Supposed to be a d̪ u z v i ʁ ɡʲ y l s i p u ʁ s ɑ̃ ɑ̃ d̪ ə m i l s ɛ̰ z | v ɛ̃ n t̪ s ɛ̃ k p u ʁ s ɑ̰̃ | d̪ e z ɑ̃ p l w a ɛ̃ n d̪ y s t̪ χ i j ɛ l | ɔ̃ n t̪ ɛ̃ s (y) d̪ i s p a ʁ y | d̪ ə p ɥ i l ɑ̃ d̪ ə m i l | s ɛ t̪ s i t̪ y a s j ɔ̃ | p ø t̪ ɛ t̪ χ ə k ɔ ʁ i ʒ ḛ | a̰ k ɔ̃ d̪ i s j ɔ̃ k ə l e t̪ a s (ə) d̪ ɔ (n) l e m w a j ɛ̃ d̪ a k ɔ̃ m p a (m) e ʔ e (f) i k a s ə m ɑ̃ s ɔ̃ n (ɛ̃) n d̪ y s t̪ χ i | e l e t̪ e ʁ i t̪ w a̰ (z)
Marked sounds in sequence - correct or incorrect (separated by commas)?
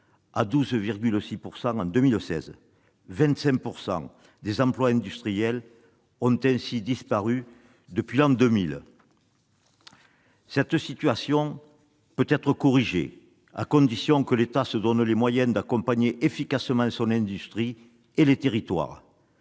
incorrect, correct, correct, incorrect, correct, correct, incorrect